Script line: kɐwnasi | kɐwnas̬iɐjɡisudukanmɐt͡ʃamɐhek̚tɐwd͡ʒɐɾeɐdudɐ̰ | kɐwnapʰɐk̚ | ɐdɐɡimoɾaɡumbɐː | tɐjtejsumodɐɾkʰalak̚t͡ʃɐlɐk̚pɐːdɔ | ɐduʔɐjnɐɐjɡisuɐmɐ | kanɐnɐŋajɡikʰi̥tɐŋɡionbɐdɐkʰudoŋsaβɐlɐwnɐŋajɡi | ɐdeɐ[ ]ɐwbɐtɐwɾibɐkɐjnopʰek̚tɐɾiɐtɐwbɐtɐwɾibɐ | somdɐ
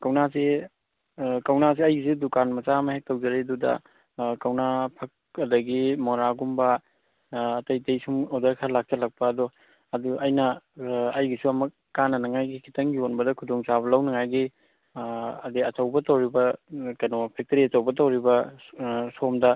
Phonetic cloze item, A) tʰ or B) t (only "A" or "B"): B